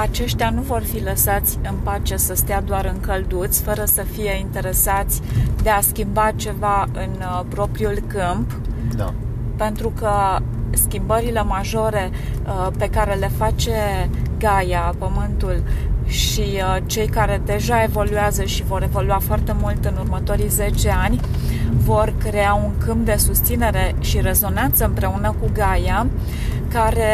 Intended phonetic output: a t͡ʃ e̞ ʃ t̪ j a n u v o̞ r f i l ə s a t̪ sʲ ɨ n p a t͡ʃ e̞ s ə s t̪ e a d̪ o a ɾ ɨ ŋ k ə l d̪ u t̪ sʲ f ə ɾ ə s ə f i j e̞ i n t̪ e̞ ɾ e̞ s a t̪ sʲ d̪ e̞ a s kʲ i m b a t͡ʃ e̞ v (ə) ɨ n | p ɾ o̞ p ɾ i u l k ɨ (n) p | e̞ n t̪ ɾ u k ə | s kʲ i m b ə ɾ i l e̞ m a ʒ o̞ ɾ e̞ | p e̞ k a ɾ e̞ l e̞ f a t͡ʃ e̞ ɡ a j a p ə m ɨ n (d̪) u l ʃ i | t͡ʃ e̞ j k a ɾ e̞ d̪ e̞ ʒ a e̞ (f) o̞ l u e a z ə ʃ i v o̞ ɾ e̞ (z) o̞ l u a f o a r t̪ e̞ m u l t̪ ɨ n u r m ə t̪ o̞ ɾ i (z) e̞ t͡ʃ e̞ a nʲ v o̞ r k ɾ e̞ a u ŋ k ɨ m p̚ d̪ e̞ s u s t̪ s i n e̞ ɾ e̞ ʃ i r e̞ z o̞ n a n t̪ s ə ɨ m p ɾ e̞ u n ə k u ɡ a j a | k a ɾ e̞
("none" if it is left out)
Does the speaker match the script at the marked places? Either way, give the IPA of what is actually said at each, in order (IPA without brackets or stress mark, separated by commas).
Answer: a, m, t̪, v, v, z